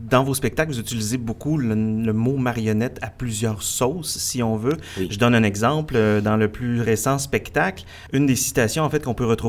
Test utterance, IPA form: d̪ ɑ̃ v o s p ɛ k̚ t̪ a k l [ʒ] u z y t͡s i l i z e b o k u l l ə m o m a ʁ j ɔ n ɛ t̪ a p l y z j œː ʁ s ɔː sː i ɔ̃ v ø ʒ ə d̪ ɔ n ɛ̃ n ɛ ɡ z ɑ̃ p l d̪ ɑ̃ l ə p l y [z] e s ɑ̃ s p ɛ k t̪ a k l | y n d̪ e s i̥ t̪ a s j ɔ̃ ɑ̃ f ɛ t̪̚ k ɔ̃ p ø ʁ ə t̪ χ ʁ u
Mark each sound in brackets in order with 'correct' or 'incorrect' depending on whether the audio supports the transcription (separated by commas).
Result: incorrect, incorrect